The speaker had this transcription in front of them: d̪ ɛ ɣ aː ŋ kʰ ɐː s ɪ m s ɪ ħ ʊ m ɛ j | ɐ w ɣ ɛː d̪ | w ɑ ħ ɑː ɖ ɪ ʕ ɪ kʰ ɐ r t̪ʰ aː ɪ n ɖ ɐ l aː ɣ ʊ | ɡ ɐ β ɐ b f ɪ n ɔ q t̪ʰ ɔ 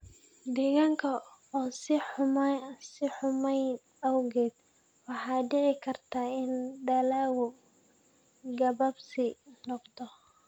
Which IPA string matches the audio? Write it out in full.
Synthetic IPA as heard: d̪ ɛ ɣ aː ŋ kʰ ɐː s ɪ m s ɪ ħ ʊ m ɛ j | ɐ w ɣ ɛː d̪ | w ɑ ħ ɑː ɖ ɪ ʕ ɪ kʰ ɐ r t̪ʰ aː ɪ n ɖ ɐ l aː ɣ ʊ | ɡ ɐ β ɐ b s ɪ n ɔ q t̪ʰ ɔ

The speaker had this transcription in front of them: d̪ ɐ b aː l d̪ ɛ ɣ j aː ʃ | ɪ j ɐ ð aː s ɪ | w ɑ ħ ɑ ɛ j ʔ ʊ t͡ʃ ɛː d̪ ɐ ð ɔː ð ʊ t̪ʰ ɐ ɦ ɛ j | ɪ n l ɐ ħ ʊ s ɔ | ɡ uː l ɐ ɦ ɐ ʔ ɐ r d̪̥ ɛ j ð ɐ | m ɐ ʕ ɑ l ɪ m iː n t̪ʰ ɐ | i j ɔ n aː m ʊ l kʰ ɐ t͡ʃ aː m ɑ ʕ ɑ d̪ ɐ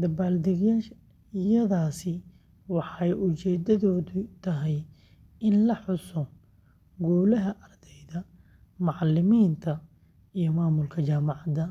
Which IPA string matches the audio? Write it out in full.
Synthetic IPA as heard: d̪ ɐ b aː l d̪ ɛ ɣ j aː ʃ | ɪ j ɐ ð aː s ɪ | w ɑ ħ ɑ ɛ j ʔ ʊ t͡ʃ ɛː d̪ ɐ ð ɔː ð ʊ t̪ʰ ɐ ɦ ɛ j | ɪ n l ɐ ħ ʊ s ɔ | ɡ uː l ɐ ɦ ɐ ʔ ɐ r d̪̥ ɛ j ð ɐ | m ɑ ʕ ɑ l ɪ m iː n t̪ʰ ɐ | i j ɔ m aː m ʊ l kʰ ɐ t͡ʃ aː m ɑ ʕ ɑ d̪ ɐ

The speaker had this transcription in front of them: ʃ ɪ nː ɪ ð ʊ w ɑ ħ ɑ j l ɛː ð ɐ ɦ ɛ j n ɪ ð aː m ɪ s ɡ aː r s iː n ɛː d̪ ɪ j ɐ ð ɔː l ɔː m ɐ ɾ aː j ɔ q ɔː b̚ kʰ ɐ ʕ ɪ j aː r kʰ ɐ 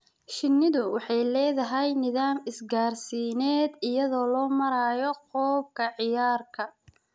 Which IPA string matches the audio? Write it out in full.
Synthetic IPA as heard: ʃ ɪ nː ɪ ð ʊ w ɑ ħ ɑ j l ɛː ð ɐ ɦ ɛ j n ɪ ð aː m ɪ s ɡ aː r s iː n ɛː d̪ ɪ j ɐ ð ɔː l ɔː m ɐ ɾ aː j ɔ q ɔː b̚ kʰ ɐ ʕ ɪ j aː r kʰ ɐ

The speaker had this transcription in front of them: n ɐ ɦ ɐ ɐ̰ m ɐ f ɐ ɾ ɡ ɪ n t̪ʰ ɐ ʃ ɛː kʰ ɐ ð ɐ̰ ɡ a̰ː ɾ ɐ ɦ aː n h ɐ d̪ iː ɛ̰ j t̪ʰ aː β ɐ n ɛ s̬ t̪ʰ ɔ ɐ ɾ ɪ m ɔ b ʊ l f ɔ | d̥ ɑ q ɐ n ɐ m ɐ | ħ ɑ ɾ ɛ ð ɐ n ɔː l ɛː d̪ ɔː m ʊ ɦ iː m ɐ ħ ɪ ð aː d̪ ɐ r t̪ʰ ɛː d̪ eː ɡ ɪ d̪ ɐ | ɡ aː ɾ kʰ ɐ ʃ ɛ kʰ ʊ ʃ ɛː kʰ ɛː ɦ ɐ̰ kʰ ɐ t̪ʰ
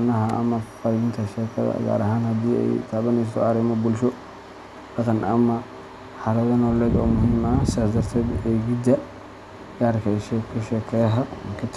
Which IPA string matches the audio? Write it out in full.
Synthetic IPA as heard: n ɐ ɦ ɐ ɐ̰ m ɐ f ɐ ɾ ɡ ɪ n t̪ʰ ɐ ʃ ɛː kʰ ɐ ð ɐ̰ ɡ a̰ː ɾ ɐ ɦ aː n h ɐ d̪ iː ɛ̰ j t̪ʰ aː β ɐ n ɛ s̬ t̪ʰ ɔ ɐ ɾ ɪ m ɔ b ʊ l ʃ ɔ | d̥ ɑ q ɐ n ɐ m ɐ | ħ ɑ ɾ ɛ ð ɐ n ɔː l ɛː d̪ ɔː m ʊ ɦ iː m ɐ s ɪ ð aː d̪ ɐ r t̪ʰ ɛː d̪ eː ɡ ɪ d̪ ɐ | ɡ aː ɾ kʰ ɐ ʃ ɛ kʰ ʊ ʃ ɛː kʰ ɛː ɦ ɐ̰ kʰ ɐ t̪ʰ

